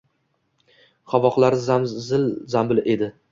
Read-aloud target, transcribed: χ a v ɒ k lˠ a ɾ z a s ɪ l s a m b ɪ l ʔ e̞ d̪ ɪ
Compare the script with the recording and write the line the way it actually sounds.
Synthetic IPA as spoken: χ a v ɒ q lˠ a ɾ z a z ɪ l z a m b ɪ l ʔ e̞ d̪ ɪ